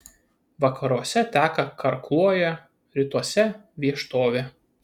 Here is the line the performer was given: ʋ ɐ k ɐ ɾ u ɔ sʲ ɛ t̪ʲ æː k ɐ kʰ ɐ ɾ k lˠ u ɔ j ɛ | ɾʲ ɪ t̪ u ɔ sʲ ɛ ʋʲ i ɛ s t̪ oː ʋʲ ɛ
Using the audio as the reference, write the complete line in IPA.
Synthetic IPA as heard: ʋ ɐ k ɐ ɾ u ɔ sʲ ɛ t̪ʲ æː k ɐ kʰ ɐ ɾ k lˠ u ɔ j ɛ | ɾʲ ɪ t̪ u ɔ sʲ ɛ ʋʲ i ɛ ʃ t̪ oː ʋʲ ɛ